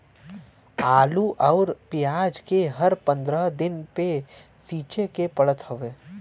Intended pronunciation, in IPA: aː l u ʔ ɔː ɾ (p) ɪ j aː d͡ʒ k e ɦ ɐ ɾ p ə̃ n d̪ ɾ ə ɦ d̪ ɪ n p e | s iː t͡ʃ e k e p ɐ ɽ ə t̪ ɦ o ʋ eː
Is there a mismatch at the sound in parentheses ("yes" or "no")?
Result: no